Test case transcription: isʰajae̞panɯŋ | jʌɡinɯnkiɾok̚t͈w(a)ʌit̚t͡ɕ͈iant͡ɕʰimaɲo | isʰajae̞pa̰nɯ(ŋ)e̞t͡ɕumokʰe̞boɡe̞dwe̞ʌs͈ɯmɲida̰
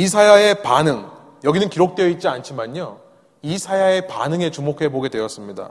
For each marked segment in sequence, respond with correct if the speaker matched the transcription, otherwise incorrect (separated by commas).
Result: incorrect, correct